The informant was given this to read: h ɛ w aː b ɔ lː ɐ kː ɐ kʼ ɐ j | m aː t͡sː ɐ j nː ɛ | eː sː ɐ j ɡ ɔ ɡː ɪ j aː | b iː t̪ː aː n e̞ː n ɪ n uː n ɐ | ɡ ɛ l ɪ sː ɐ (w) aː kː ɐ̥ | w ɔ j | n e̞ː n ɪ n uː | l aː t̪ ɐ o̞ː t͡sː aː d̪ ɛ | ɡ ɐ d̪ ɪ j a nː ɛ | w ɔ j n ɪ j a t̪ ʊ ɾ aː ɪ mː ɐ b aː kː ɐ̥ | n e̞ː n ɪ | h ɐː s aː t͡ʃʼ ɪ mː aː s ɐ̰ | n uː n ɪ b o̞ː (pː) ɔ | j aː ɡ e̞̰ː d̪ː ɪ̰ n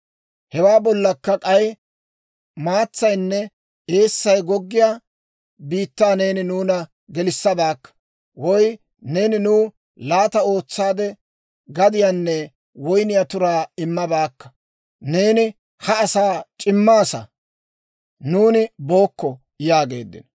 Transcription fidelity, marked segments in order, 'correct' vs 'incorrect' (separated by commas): incorrect, incorrect